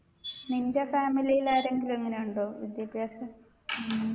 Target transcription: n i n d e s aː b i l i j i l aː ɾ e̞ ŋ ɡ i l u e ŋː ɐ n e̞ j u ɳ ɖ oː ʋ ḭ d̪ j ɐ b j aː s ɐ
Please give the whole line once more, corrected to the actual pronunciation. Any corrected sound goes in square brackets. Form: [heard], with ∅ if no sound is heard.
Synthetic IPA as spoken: n i n d e [f] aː [m] i l i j i l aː ɾ e̞ ŋ ɡ i l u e ŋː ɐ n e̞ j u ɳ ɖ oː ʋ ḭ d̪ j ɐ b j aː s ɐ